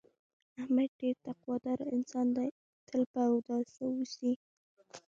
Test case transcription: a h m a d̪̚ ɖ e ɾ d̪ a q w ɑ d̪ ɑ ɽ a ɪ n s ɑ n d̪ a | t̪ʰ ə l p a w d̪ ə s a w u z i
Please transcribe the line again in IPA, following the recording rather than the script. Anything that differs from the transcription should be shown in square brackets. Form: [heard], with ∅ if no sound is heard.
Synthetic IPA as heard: a h m a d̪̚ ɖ e ɾ [t̪] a q w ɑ d̪ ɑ [ɾ] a ɪ n s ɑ n d̪ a | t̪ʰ ə l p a w d̪ [ɑ] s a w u [s] i